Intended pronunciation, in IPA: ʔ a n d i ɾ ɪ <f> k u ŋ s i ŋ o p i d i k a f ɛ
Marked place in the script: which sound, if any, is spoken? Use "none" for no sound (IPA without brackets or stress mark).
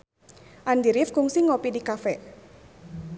f